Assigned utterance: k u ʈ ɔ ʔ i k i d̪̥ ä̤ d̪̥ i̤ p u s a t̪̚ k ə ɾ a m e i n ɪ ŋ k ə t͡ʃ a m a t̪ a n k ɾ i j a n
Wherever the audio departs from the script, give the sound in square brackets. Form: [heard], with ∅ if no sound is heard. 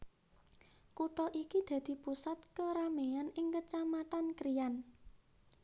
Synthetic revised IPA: k u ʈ ɔ ʔ i k i d̪̥ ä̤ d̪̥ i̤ p u s a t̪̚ k ə ɾ a m e [a] n ɪ ŋ k ə t͡ʃ a m a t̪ a n k ɾ i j a n